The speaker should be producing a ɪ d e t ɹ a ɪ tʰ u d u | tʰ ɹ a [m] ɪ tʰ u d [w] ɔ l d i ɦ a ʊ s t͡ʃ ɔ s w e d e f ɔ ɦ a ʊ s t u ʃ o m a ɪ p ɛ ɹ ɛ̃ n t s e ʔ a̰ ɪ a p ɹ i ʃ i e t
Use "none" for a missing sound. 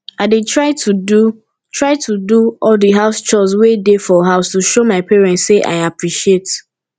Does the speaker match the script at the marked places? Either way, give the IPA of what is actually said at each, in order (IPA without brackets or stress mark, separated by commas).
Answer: none, u